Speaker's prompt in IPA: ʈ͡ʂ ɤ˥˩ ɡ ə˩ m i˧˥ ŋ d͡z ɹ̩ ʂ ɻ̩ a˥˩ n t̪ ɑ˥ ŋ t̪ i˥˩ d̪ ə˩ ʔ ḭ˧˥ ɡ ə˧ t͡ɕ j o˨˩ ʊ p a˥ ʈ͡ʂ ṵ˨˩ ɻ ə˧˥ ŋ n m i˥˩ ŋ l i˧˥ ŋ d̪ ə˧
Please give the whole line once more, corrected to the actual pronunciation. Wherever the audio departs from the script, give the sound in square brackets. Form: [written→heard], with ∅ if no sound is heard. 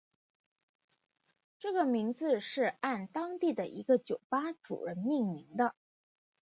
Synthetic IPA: ʈ͡ʂ ɤ˥˩ ɡ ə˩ m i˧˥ ŋ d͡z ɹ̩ ʂ ɻ̩ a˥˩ n t̪ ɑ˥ ŋ t̪ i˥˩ d̪ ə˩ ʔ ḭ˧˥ ɡ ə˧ t͡ɕ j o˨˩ ʊ p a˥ ʈ͡ʂ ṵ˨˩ ɻ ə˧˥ [ŋ→∅] n m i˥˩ ŋ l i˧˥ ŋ d̪ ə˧